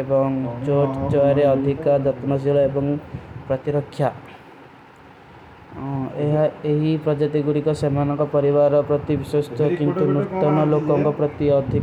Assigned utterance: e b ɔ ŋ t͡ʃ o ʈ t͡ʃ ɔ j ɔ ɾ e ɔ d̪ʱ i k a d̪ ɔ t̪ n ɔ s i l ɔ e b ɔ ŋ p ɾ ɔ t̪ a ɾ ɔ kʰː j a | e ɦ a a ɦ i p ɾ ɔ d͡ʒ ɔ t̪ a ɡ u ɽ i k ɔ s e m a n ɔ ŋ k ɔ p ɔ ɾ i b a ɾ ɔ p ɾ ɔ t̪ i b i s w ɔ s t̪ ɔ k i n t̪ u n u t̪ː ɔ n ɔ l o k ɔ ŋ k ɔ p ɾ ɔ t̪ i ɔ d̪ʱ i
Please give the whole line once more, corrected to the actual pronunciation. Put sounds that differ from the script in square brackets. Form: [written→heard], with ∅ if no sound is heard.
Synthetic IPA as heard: e b ɔ ŋ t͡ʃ o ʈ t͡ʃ ɔ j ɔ ɾ e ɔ d̪ʱ i k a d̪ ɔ t̪ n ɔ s i l ɔ e b ɔ ŋ p ɾ ɔ t̪ [a→i] ɾ ɔ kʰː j a | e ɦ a [a→e] ɦ i p ɾ ɔ d͡ʒ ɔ t̪ [a→i] ɡ u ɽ i k ɔ s e m a n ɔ ŋ k ɔ p ɔ ɾ i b a ɾ ɔ p ɾ ɔ t̪ i b i s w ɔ s t̪ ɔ k i n t̪ u n u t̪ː ɔ n ɔ l o k ɔ ŋ k ɔ p ɾ ɔ t̪ i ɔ d̪ʱ i